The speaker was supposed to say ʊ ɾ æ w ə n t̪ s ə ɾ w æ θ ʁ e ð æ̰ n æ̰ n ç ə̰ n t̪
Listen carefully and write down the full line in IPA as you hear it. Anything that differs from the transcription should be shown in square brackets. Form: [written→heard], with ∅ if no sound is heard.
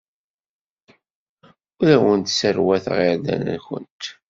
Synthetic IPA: ʊ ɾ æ w ə n t̪ s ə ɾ w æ θ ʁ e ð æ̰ n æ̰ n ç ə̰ n t̪